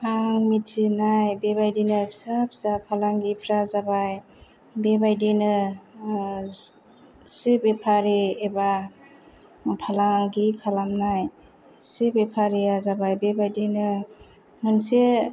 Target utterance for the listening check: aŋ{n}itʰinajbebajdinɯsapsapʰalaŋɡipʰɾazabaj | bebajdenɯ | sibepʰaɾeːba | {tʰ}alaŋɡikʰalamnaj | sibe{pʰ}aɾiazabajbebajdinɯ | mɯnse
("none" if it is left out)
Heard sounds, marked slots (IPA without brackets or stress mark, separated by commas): m, pʰ, pʰ